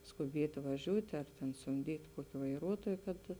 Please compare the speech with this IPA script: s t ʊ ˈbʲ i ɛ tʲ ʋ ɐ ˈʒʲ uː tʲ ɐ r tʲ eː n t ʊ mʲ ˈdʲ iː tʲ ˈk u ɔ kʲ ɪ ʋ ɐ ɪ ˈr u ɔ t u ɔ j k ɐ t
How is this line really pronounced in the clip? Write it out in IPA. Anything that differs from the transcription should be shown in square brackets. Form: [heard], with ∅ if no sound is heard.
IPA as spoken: s [k] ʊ ˈbʲ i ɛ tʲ ʋ ɐ ˈʒʲ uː tʲ ɐ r tʲ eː n [s] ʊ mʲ ˈdʲ iː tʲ ˈk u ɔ kʲ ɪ ʋ ɐ ɪ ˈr u ɔ t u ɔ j k ɐ t